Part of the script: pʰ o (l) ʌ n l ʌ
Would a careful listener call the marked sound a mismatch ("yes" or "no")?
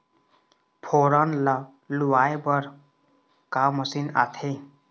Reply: yes